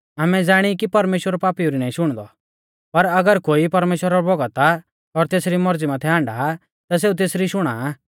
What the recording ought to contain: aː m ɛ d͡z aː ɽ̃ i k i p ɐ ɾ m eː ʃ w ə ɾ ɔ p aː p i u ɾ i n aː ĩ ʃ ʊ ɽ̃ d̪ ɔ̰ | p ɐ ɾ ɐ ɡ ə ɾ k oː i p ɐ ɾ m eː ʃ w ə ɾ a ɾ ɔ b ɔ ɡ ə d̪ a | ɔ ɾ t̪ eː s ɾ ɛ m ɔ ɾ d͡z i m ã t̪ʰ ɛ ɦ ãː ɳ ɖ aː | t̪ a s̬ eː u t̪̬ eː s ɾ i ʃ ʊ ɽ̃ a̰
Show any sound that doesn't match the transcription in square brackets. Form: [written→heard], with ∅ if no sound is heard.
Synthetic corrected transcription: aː m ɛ d͡z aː ɽ̃ i k i p ɐ ɾ m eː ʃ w ə ɾ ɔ p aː p i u ɾ i n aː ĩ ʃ ʊ ɽ̃ d̪ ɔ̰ | p ɐ ɾ ɐ ɡ ə ɾ k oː i p ɐ ɾ m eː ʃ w ə ɾ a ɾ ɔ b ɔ ɡ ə [d̪→t̪] a | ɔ ɾ t̪ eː s ɾ [ɛ→i] m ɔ ɾ d͡z i m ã t̪ʰ ɛ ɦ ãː ɳ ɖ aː | t̪ a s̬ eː u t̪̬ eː s ɾ i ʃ ʊ ɽ̃ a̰

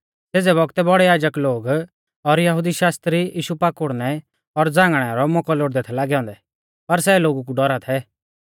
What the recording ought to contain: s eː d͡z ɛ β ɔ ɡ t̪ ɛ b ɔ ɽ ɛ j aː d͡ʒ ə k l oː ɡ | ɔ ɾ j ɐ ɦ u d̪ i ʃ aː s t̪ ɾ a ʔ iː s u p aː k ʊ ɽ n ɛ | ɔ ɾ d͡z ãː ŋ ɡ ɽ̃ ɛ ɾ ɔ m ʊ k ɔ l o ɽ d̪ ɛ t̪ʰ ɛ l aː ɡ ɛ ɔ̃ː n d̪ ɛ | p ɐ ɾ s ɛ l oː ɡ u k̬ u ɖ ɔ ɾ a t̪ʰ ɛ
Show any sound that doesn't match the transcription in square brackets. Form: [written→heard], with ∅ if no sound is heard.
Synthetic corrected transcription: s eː d͡z ɛ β ɔ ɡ t̪ ɛ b ɔ ɽ ɛ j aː d͡ʒ ə k l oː ɡ | ɔ ɾ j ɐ ɦ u d̪ i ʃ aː s t̪ ɾ [a→i] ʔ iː [s→ʃ] u p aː k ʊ ɽ n ɛ | ɔ ɾ d͡z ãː ŋ ɡ ɽ̃ ɛ ɾ ɔ m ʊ k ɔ l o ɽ d̪ ɛ t̪ʰ ɛ l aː ɡ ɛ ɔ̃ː n d̪ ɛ | p ɐ ɾ s ɛ l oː ɡ u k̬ u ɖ ɔ ɾ a t̪ʰ ɛ

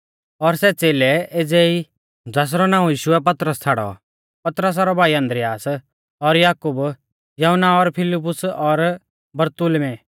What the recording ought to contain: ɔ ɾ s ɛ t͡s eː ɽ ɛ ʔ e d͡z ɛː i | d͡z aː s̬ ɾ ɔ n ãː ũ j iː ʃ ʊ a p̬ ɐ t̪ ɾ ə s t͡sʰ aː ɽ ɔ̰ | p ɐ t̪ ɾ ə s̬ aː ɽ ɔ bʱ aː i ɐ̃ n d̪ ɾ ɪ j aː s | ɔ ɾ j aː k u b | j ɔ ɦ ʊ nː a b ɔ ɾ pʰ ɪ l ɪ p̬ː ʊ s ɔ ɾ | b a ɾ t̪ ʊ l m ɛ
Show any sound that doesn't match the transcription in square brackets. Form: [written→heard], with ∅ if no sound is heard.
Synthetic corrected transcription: ɔ ɾ s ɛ t͡s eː [ɽ→l] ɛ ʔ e d͡z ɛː i | d͡z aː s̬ ɾ ɔ n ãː ũ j iː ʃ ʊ [a→ɛ] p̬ ɐ t̪ ɾ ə s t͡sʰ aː ɽ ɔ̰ | p ɐ t̪ ɾ ə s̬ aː [ɽ→ɾ] ɔ bʱ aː i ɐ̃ n d̪ ɾ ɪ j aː s | ɔ ɾ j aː k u b | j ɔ ɦ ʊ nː a [b→∅] ɔ ɾ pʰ ɪ l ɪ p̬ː ʊ s ɔ ɾ | b [a→ɐ] ɾ t̪ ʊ l m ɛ

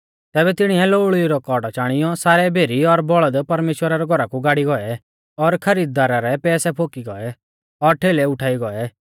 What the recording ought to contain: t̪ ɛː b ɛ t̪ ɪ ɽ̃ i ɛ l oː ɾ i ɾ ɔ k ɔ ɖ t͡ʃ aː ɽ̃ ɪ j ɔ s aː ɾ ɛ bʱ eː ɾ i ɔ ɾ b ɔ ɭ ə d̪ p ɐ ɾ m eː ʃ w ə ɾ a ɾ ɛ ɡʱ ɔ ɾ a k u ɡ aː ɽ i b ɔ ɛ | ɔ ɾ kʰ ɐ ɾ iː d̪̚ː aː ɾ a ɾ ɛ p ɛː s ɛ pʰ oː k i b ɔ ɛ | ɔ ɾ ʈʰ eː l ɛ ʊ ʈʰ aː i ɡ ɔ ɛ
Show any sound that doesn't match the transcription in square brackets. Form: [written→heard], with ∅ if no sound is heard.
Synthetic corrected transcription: t̪ ɛː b ɛ t̪ ɪ ɽ̃ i ɛ l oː [ɾ→ɭ] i ɾ ɔ k ɔ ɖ t͡ʃ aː ɽ̃ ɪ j ɔ s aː ɾ ɛ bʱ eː ɾ i ɔ ɾ b ɔ ɭ ə d̪ p ɐ ɾ m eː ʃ w ə ɾ a ɾ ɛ ɡʱ ɔ ɾ a k u ɡ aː ɽ i [b→ɡ] ɔ ɛ | ɔ ɾ kʰ ɐ ɾ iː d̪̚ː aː ɾ a ɾ ɛ p ɛː s ɛ pʰ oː k i [b→ɡ] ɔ ɛ | ɔ ɾ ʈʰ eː l ɛ ʊ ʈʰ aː i ɡ ɔ ɛ

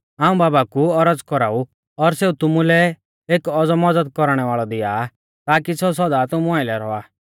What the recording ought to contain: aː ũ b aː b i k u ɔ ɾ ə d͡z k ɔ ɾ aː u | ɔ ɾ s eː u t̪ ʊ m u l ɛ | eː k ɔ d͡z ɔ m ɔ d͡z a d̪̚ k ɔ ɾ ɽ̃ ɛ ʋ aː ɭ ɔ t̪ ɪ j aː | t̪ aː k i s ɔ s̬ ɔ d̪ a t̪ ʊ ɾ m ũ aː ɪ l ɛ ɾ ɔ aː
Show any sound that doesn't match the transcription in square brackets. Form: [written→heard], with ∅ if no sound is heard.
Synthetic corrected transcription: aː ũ b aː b [i→a] k u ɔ ɾ ə d͡z k ɔ ɾ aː u | ɔ ɾ s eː u t̪ ʊ m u l ɛ | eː k ɔ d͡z ɔ m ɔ d͡z [a→ə] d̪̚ k ɔ ɾ ɽ̃ ɛ ʋ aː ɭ ɔ [t̪→d̪] ɪ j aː | t̪ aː k i s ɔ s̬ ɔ d̪ a t̪ ʊ [ɾ→∅] m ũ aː ɪ l ɛ ɾ ɔ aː

